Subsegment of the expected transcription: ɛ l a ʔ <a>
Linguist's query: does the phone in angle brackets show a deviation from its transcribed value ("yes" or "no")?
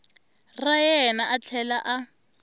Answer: no